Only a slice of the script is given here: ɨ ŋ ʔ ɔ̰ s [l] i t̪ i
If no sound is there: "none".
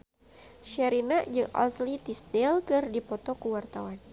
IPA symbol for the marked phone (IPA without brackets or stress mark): l